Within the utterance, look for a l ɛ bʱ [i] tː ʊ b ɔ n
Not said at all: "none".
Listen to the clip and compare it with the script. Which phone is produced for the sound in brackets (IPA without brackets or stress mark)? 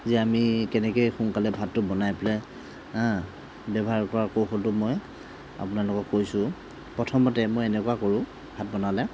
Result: a